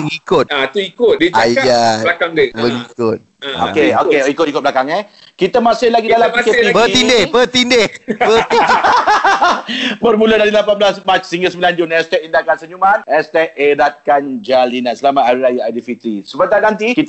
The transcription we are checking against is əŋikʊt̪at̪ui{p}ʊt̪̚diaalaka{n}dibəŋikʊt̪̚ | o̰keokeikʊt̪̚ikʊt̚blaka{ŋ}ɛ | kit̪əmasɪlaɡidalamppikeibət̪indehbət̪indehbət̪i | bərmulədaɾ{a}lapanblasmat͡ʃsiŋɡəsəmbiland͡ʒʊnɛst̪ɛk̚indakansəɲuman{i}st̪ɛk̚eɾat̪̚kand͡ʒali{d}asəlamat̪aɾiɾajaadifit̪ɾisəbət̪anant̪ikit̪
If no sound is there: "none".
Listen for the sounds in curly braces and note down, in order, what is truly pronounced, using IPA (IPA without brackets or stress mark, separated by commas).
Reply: k, ŋ, ŋ, i, ɛ, n